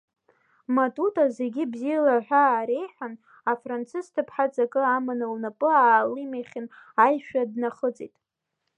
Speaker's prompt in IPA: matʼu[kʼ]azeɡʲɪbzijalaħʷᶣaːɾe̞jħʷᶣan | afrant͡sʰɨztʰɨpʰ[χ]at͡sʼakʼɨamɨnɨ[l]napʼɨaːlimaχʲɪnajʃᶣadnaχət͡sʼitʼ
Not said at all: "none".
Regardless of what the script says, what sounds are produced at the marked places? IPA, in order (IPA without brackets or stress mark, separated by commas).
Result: tʼ, ħ, l